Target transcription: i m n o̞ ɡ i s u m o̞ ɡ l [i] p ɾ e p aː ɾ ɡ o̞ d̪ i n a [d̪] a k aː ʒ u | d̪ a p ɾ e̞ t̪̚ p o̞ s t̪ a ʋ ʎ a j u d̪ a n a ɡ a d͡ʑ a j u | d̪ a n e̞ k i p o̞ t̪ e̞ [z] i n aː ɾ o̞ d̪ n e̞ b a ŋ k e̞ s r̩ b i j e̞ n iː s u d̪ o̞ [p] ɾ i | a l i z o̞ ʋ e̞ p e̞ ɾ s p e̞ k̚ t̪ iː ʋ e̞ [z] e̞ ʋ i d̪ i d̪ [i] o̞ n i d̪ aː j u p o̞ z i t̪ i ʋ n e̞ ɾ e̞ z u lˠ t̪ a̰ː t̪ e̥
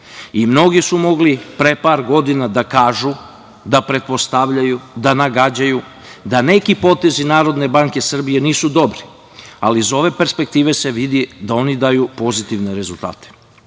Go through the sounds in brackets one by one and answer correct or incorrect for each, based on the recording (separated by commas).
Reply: correct, correct, correct, incorrect, incorrect, incorrect